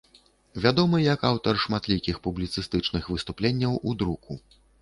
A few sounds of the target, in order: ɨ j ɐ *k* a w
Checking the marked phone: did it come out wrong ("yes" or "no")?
no